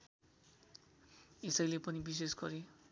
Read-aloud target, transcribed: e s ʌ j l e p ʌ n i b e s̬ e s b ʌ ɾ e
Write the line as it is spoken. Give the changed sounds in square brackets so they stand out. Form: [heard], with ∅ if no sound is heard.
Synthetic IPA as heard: e s ʌ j l e p ʌ n i b [i] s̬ e s [ɡ] ʌ ɾ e

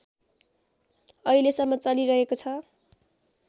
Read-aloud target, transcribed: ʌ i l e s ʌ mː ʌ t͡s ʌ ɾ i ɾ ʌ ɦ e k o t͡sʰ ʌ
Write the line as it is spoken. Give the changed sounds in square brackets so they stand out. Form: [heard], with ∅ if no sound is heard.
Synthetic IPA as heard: ʌ i l e s ʌ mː ʌ t͡s ʌ [l] i ɾ ʌ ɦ e k o t͡sʰ ʌ

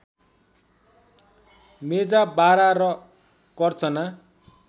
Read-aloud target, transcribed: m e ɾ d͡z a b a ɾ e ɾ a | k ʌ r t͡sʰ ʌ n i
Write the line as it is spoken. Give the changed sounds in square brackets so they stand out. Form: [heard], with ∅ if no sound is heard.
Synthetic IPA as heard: m e [∅] d͡z a b a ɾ [a] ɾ [ʌ] | k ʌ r [t͡s] ʌ n [a]

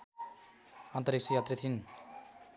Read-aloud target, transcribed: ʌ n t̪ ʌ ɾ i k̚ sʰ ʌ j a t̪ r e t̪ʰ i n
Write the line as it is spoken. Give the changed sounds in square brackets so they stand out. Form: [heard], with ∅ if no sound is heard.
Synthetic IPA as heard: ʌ n t̪ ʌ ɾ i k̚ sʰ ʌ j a t̪ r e t̪ʰ i n

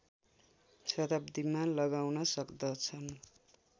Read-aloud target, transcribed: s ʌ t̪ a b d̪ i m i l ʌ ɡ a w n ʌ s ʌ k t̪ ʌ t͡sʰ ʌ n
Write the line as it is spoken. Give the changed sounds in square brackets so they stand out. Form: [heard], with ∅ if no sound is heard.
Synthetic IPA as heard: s ʌ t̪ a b d̪ i m [a] l ʌ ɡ a w n ʌ s ʌ k [d̪] ʌ t͡sʰ ʌ n

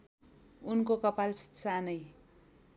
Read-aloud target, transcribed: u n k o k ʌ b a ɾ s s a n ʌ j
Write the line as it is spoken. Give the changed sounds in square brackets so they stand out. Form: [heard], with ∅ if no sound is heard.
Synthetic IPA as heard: u n k o k ʌ [p] a [l] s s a n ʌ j

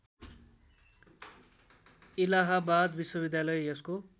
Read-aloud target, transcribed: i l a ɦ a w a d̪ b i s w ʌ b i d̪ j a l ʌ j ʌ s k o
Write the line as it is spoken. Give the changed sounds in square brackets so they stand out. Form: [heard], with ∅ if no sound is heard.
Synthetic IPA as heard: i l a ɦ a [b] a d̪ b i s w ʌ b i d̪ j a l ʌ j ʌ s k o

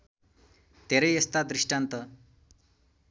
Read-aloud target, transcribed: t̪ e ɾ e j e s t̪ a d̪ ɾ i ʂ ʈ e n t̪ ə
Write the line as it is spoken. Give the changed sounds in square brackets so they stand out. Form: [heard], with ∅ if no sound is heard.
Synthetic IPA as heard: t̪ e ɾ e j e s t̪ a d̪ ɾ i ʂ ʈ [a] n t̪ ə

